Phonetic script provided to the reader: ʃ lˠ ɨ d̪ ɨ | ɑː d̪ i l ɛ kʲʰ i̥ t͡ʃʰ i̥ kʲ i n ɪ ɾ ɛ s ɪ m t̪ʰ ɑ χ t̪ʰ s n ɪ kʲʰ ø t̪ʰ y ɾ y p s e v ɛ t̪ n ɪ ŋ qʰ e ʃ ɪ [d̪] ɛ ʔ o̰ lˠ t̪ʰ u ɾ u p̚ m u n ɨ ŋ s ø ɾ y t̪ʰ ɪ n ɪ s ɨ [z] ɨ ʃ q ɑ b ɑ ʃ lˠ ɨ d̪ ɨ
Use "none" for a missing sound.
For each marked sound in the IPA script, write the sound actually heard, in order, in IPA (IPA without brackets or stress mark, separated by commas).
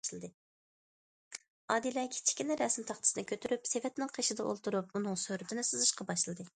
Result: d̪, z